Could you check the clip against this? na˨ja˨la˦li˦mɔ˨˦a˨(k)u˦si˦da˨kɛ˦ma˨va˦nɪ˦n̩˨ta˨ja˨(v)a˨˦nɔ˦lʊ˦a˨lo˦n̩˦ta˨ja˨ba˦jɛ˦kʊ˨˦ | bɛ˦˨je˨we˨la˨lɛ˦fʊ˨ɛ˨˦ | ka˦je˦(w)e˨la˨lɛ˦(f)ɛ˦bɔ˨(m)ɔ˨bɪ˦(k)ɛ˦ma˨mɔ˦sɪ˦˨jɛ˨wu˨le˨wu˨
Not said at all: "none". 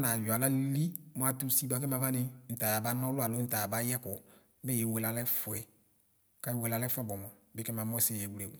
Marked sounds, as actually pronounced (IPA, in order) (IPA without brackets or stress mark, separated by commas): t, b, w, f, m, k